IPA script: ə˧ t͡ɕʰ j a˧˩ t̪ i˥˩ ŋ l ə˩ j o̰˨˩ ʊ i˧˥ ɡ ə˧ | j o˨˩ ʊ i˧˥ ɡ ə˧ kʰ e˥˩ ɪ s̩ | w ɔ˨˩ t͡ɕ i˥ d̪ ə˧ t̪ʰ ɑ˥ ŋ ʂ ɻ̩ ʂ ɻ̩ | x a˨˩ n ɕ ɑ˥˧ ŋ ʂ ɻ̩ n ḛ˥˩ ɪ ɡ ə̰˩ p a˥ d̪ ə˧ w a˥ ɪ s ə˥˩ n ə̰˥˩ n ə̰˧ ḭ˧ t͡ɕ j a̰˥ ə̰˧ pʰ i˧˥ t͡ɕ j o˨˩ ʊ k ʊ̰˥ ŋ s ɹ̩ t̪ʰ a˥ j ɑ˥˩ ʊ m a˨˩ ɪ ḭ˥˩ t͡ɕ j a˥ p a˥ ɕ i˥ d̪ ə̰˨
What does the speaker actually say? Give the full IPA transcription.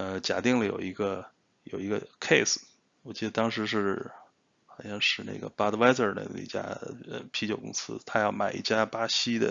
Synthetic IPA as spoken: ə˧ t͡ɕ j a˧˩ t̪ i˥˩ ŋ l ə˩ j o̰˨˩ ʊ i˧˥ ɡ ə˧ | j o˨˩ ʊ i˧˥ ɡ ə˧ kʰ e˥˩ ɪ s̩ | w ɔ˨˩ t͡ɕ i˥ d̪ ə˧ t̪ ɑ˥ ŋ ʂ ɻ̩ ʂ ɻ̩ | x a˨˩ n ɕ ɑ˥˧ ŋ ʂ ɻ̩ n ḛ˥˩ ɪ ɡ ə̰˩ p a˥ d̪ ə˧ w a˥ ɪ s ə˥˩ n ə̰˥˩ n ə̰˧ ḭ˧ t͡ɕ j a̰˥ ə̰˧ pʰ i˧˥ t͡ɕ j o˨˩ ʊ k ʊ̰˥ ŋ s ɹ̩ t̪ʰ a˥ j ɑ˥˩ ʊ m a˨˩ ɪ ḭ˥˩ t͡ɕ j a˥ p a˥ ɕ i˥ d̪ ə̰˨

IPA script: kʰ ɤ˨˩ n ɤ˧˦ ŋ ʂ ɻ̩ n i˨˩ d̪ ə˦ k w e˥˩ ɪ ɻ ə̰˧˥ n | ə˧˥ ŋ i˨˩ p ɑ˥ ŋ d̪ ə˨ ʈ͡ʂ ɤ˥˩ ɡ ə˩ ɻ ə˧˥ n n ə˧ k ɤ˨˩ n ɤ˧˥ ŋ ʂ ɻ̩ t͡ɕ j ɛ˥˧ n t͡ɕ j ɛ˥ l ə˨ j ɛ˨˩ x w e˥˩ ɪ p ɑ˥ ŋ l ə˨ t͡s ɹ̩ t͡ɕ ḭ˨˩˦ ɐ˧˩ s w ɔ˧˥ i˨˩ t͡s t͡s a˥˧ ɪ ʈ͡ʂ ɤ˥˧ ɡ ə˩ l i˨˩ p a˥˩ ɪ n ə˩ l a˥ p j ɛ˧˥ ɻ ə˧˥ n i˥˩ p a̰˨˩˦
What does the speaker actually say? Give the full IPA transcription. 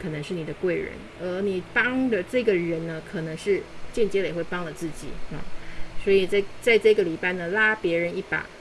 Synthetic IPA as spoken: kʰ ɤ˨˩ n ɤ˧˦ ŋ ʂ ɻ̩ n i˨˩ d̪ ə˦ k w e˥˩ ɪ ɻ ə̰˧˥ n | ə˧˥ n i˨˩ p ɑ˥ ŋ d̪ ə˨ ʈ͡ʂ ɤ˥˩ ɡ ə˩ ɻ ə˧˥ n n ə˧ kʰ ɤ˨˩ n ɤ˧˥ ŋ ʂ ɻ̩ t͡ɕ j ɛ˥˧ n t͡ɕ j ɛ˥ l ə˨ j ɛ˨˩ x w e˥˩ ɪ p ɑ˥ ŋ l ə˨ t͡s ɹ̩ t͡ɕ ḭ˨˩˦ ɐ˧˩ s w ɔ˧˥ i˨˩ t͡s t͡s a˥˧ ɪ ʈ͡ʂ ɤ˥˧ ɡ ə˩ l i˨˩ p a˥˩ ɪ n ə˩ l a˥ p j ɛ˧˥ ɻ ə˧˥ n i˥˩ p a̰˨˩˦

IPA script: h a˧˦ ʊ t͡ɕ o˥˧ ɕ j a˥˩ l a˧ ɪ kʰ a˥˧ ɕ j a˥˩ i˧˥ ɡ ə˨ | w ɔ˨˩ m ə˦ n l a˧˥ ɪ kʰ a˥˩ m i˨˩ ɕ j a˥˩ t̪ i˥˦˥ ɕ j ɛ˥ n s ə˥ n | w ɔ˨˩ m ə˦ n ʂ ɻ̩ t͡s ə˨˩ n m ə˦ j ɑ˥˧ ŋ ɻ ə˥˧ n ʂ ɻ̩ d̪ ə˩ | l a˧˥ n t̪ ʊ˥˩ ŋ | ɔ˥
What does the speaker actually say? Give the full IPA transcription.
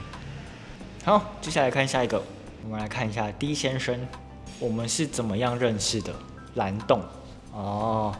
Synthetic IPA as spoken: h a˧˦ ʊ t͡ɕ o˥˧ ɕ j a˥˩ l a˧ ɪ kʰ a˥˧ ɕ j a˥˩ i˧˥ ɡ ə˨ | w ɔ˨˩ m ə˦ n l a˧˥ ɪ kʰ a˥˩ n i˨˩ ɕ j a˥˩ t̪ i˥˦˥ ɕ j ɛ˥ n ʂ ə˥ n | w ɔ˨˩ m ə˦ n ʂ ɻ̩ t͡s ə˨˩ n m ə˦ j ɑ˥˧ ŋ ɻ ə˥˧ n ʂ ɻ̩ d̪ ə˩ | l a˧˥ n t̪ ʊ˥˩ ŋ | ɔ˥

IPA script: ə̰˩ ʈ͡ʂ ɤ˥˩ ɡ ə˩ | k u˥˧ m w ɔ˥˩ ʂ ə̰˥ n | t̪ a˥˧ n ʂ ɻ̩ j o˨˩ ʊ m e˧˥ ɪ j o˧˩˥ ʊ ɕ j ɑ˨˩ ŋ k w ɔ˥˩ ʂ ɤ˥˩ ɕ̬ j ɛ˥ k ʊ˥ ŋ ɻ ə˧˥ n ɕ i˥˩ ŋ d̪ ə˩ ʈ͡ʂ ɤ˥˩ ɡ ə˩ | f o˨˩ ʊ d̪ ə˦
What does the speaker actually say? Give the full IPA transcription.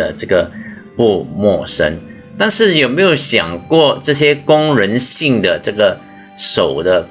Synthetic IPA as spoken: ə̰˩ ʈ͡ʂ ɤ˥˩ ɡ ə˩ | p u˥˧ m w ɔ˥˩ ʂ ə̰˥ n | t̪ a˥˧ n ʂ ɻ̩ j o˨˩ ʊ m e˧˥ ɪ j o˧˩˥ ʊ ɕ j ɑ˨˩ ŋ k w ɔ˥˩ ʈ͡ʂ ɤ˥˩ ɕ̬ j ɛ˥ k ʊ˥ ŋ ɻ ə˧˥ n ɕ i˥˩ ŋ d̪ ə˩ ʈ͡ʂ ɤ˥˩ ɡ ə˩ | ʂ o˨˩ ʊ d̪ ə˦

